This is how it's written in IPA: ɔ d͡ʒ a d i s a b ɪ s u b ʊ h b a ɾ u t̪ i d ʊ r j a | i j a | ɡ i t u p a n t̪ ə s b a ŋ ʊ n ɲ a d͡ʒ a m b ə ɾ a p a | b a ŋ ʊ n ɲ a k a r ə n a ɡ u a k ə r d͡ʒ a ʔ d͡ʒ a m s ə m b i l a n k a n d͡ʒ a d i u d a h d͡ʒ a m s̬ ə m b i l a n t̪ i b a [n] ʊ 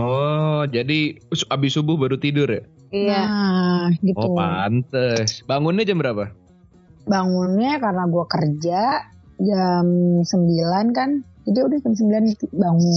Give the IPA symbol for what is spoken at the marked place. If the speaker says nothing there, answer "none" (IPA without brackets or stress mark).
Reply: ŋ